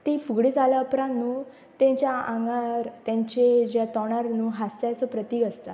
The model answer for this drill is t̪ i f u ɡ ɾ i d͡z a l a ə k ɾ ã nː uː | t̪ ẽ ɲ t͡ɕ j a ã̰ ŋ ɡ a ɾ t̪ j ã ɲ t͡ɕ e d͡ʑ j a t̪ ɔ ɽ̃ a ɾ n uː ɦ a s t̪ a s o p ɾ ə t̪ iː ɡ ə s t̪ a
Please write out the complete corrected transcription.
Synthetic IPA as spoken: t̪ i f u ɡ ɽ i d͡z a l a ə p ɾ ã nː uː | t̪ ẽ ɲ t͡ɕ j a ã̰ ŋ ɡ a ɾ t̪ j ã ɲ t͡ɕ e d͡ʑ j a t̪ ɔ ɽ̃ a ɾ n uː ɦ a s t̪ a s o p ɾ ə t̪ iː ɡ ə s t̪ a